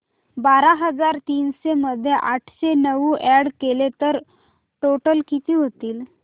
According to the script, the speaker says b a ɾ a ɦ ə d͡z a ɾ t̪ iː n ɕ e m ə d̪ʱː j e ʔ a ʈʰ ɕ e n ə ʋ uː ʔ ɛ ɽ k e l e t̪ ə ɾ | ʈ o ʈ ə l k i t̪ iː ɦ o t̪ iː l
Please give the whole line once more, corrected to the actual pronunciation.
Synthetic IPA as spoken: b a ɾ a ɦ ə d͡z a ɾ t̪ iː n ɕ e m ə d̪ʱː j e ʔ a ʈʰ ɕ e n ə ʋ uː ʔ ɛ ɽ k e l e t̪ ə ɾ | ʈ o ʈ ə l k i t̪ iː ɦ o t̪ iː l